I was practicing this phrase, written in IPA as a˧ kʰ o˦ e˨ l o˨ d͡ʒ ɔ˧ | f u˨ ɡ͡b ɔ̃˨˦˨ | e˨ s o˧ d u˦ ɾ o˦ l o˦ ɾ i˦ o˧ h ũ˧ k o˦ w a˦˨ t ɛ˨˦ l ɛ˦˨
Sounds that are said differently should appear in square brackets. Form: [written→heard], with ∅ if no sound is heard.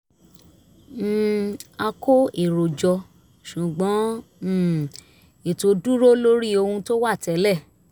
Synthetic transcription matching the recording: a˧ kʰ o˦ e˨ [l→ɾ] o˨ d͡ʒ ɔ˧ | [f→ʃ] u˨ ɡ͡b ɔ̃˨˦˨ | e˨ [s→t] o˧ d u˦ ɾ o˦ l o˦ ɾ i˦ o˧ h ũ˧ [k→t] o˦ w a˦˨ t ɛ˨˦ l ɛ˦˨